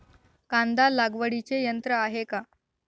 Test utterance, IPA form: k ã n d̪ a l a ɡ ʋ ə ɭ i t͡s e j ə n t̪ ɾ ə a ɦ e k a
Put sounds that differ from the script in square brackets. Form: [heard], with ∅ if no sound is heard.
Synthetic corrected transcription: k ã n d̪ a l a ɡ ʋ ə [ɽ] i t͡s e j ə n t̪ ɾ ə a ɦ e k a